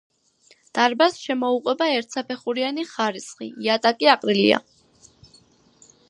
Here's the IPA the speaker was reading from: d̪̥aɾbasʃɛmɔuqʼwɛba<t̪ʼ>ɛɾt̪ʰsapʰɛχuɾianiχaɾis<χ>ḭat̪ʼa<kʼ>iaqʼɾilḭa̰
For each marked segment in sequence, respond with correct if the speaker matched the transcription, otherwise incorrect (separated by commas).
incorrect, correct, correct